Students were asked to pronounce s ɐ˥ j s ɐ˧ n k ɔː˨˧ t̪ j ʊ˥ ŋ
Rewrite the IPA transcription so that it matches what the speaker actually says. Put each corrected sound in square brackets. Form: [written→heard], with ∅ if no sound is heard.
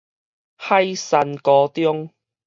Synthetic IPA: [s→h] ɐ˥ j s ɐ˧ n k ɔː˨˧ t̪ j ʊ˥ ŋ